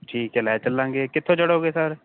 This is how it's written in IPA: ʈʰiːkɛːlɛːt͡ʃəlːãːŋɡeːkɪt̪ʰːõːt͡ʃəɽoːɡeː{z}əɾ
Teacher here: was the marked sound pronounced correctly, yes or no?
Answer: no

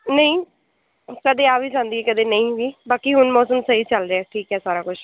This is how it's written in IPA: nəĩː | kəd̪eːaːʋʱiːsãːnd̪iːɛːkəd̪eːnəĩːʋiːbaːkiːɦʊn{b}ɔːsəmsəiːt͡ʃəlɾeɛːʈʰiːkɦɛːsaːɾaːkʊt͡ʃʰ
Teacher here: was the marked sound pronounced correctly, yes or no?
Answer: no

